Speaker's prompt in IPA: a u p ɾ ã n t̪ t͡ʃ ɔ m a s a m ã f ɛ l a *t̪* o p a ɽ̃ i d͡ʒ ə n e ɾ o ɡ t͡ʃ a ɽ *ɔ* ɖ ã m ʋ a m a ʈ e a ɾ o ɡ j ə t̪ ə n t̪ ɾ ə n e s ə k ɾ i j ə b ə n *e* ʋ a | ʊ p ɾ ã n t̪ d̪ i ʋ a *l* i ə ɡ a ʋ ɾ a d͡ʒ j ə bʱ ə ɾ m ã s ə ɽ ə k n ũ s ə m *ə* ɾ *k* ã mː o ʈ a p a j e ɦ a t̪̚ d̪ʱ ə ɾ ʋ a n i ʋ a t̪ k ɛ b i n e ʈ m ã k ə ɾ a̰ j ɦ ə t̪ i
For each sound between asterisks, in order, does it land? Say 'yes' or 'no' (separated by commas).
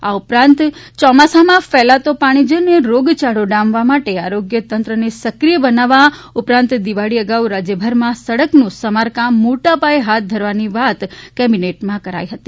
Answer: yes, no, no, no, no, yes